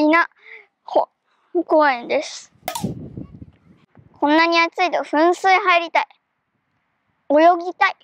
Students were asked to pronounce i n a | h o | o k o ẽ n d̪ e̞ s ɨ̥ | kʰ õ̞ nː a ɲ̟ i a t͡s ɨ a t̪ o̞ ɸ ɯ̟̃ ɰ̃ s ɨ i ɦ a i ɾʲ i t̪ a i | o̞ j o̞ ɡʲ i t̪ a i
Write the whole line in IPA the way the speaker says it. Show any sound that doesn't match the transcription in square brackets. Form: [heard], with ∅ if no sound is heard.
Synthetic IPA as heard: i n a | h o | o k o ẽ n d̪ e̞ s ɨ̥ | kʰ õ̞ nː a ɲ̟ i a t͡s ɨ [i] t̪ o̞ ɸ ɯ̟̃ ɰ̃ s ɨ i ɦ a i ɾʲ i t̪ a i | o̞ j o̞ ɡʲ i t̪ a i